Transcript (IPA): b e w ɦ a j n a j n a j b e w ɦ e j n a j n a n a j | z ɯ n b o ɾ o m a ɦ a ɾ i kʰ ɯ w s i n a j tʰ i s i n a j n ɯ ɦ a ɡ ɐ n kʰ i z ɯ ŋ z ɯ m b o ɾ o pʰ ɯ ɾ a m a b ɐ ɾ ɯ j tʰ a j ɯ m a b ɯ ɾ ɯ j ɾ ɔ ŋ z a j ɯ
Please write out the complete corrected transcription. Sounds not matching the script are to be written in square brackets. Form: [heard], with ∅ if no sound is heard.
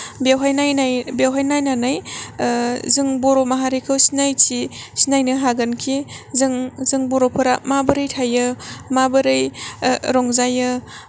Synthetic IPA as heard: b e w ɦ a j n a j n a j b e w ɦ [a] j n a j n a n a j | z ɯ [ŋ] b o ɾ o m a ɦ a ɾ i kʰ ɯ w s i n a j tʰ i s i n a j n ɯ ɦ a ɡ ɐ n kʰ i z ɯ ŋ z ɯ [ŋ] b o ɾ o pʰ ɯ ɾ a m a b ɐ ɾ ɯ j tʰ a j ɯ m a b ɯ ɾ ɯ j ɾ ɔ ŋ z a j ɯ